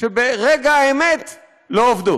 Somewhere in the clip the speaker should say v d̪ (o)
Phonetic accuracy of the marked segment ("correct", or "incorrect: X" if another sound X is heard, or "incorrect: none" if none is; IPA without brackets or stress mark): incorrect: u